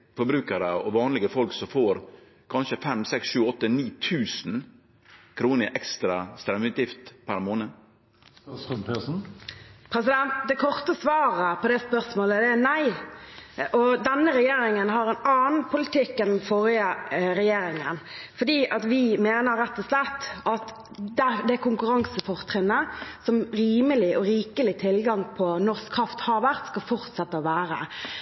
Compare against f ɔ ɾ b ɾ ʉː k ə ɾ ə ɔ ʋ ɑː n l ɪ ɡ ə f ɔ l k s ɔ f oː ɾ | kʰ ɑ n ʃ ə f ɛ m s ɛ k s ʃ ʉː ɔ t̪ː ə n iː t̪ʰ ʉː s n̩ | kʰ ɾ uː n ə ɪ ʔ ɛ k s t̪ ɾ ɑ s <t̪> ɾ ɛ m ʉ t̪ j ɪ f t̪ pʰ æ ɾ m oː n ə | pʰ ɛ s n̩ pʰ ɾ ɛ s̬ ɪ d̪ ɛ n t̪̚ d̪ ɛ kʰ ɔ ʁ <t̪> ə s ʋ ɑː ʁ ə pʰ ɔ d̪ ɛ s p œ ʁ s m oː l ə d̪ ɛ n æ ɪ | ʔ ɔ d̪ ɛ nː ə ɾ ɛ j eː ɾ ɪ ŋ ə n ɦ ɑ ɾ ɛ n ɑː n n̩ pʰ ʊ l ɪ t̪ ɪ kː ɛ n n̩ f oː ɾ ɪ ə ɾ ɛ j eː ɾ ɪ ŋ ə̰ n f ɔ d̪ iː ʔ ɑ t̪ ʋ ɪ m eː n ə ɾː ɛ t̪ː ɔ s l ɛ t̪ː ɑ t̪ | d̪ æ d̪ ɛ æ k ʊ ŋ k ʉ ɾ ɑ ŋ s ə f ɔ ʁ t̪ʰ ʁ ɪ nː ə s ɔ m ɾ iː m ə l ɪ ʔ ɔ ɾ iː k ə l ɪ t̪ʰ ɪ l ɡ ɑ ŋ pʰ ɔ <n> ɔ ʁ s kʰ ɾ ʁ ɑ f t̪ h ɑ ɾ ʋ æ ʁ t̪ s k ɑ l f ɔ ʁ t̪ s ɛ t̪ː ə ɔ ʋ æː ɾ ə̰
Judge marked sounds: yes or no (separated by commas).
yes, yes, yes